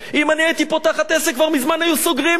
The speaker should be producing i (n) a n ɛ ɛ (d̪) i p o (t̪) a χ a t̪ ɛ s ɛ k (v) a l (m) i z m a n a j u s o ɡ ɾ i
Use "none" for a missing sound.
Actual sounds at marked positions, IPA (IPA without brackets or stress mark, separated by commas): m, t̪, t̪, v, m